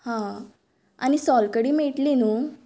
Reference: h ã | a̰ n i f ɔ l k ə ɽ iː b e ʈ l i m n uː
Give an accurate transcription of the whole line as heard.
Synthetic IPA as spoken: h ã | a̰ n i s ɔ l k ə ɽ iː m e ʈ l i n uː